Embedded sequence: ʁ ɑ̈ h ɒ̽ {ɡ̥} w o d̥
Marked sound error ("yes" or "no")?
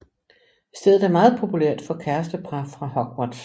no